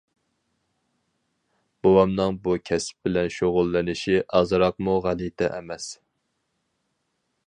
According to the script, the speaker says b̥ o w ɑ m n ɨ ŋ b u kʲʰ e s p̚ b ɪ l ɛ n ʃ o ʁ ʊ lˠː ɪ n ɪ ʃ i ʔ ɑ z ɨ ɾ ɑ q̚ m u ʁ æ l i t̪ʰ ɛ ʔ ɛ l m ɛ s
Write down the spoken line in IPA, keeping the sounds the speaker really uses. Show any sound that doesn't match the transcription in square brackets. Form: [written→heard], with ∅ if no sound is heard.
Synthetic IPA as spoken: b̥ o w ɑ m n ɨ ŋ b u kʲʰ [e→ɛ] s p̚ b ɪ l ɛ n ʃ o ʁ ʊ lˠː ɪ n ɪ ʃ i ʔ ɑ z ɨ ɾ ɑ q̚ m u ʁ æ l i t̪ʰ ɛ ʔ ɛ [l→∅] m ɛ s